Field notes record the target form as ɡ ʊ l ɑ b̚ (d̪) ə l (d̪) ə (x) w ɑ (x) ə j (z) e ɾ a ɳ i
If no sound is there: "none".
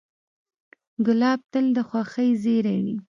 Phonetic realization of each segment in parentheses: t̪, d̪, x, x, z

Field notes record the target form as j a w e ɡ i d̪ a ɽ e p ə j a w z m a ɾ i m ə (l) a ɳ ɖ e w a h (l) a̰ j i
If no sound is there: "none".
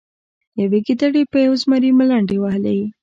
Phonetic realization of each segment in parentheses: l, l

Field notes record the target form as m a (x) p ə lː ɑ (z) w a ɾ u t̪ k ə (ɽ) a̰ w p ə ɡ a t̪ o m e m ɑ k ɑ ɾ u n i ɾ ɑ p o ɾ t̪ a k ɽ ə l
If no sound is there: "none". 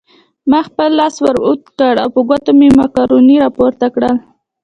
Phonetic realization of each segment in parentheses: x, s, ɽ

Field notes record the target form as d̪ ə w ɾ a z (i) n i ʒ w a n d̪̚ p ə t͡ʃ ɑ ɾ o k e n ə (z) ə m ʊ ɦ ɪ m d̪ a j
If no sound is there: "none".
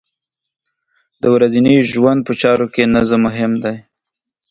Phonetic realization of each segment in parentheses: i, z

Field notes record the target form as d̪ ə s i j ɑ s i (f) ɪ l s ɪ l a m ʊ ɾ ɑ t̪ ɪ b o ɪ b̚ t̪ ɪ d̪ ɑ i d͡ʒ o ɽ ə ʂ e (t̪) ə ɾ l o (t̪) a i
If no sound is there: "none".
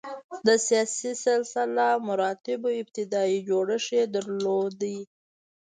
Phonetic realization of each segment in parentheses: s, d̪, d̪

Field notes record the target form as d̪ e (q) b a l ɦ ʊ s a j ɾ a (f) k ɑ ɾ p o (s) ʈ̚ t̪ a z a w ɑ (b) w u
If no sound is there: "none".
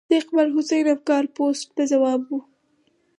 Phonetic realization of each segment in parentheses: q, f, s, b

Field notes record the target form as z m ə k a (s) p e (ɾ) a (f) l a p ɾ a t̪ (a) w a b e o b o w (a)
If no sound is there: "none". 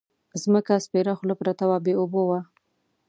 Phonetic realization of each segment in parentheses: s, ɾ, x, a, a

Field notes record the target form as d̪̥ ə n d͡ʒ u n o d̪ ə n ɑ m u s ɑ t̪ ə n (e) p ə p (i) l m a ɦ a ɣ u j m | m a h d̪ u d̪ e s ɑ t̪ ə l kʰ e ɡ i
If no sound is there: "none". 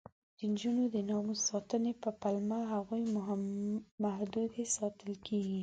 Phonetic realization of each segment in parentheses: e, a

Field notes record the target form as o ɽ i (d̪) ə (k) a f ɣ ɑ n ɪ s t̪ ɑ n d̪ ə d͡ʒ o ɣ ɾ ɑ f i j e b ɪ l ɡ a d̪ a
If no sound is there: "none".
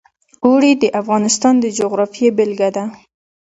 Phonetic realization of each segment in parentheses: d̪, ʔ

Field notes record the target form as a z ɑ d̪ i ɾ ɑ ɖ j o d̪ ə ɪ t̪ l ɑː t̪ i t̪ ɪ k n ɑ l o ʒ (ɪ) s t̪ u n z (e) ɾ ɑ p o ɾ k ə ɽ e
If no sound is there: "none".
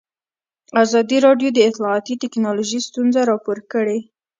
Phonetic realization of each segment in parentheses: i, a

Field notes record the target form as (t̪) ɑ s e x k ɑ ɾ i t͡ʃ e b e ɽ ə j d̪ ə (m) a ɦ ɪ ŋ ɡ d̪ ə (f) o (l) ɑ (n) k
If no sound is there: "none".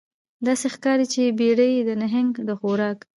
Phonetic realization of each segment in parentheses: d̪, n, x, ɾ, none

